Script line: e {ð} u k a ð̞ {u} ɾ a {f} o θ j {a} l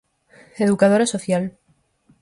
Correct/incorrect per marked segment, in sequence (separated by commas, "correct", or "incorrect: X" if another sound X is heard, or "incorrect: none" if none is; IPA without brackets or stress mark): correct, incorrect: o, incorrect: s, correct